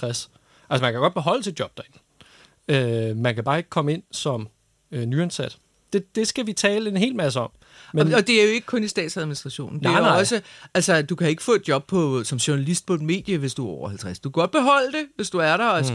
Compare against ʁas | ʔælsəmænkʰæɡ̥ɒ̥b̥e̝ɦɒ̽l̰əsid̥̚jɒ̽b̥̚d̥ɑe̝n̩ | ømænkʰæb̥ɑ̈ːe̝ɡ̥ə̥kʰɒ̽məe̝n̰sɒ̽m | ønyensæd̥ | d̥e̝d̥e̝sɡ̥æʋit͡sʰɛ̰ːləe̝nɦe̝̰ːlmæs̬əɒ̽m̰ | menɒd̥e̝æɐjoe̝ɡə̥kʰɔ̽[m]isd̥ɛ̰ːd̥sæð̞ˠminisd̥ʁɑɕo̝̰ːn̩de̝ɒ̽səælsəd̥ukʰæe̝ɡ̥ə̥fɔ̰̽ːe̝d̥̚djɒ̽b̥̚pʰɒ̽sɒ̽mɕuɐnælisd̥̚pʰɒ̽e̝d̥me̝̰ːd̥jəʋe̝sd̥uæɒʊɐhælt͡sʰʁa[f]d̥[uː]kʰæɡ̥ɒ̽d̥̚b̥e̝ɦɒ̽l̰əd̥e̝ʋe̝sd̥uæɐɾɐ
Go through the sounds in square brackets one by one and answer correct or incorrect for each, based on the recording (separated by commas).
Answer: incorrect, incorrect, incorrect